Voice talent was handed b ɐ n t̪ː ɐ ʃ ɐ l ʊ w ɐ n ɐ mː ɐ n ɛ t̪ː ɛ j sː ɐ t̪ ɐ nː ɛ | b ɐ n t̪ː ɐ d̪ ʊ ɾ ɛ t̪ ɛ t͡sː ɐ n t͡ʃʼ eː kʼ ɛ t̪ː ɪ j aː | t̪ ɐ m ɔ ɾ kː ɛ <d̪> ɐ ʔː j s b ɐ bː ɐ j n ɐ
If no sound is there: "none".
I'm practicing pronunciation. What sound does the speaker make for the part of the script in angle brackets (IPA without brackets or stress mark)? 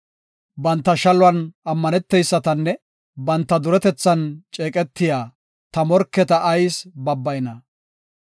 t̪